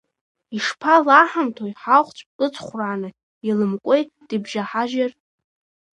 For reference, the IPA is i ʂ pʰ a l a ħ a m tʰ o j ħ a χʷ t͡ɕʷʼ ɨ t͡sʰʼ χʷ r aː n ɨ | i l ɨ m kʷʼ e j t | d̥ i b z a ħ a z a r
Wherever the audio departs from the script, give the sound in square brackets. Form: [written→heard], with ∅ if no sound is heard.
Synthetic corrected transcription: i ʂ pʰ a l a ħ a m tʰ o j ħ a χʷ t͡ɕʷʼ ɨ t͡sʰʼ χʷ r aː n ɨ | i l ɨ m kʷʼ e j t | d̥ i b [z→ʒ] a ħ a [z→ʒ] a r

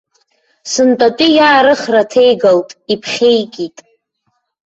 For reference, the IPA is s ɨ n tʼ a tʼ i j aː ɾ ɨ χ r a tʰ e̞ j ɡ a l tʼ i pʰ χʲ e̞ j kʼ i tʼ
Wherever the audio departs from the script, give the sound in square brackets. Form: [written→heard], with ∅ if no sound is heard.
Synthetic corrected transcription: s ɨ n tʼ a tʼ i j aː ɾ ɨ χ r a tʰ e̞ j ɡ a l tʼ i pʰ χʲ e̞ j kʼ i tʼ

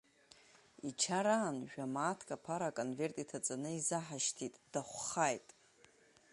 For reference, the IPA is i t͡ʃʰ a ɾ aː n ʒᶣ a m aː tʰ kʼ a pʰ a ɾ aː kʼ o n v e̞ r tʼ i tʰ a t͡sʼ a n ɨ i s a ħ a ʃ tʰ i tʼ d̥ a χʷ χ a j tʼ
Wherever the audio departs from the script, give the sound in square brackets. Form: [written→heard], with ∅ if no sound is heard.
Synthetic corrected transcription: i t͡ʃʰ a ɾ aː n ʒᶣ a m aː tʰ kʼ a pʰ a ɾ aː kʼ o n v e̞ r tʼ i tʰ a t͡sʼ a n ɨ i [s→z] a ħ a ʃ tʰ i tʼ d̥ a χʷ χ a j tʼ

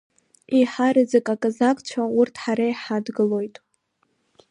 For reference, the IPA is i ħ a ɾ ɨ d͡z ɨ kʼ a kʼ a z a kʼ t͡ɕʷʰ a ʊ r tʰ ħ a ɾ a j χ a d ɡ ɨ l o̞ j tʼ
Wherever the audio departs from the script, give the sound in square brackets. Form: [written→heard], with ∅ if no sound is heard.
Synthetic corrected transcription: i ħ a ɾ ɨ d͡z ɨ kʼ a kʼ a z a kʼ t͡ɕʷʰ a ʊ r tʰ ħ a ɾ a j [χ→ħ] a d ɡ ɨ l o̞ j tʼ

